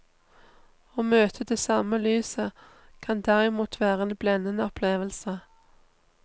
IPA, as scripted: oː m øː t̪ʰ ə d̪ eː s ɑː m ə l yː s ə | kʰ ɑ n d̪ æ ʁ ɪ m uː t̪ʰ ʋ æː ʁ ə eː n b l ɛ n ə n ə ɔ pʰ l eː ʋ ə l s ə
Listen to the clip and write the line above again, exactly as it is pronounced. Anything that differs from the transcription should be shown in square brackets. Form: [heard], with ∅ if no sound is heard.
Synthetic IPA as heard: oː m øː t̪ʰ ə d̪ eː s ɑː m ə l yː s ə | kʰ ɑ n d̪ æ ʁ ɪ m uː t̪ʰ ʋ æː ʁ ə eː n b l ɛ n ə n ə ɔ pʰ l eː ʋ ə l s ə